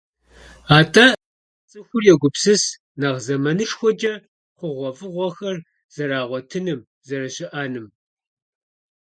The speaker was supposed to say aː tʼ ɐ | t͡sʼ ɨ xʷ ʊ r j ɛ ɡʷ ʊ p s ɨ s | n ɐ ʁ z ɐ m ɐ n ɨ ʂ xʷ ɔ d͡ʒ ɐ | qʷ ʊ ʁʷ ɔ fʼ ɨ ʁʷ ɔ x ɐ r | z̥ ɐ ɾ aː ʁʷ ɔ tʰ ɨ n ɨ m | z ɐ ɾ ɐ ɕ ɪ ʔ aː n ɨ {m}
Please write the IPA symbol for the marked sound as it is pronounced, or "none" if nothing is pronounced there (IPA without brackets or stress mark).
m